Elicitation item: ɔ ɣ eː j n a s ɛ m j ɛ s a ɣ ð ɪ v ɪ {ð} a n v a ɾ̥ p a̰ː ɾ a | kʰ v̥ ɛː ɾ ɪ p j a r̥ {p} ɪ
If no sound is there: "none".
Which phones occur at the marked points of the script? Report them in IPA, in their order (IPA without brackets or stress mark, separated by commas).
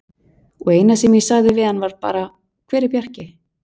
ð, c